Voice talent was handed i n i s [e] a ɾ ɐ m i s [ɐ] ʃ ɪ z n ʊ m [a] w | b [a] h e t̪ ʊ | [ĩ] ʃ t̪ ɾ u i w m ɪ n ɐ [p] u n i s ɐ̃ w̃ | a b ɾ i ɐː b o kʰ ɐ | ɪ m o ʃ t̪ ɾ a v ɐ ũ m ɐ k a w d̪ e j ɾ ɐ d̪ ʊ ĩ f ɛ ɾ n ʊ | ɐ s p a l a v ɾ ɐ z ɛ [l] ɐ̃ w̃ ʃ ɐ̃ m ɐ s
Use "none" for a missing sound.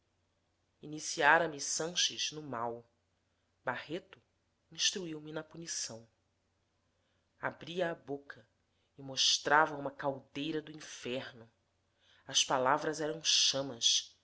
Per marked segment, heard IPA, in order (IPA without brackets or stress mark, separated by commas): i, ɐ̃, a, a, ĩ, p, ɾ